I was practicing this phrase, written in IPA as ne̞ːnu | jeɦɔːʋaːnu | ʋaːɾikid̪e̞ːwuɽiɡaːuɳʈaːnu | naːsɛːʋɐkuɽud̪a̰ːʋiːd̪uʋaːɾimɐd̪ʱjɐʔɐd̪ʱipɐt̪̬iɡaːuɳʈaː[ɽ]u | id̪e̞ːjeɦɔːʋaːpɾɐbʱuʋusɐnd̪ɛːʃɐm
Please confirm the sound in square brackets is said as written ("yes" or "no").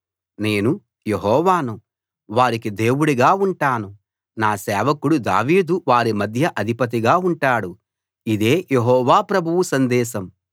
yes